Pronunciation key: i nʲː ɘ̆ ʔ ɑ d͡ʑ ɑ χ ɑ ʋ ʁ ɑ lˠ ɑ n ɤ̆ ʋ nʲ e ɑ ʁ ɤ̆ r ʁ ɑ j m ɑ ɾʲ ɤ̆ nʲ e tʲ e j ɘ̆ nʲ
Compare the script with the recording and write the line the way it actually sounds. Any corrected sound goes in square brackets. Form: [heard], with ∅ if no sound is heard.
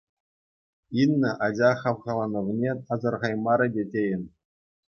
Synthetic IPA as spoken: i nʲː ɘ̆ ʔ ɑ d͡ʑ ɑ χ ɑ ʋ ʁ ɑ lˠ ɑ n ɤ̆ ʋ nʲ e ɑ [z] ɤ̆ r ʁ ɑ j m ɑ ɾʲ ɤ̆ [dʲ] e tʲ e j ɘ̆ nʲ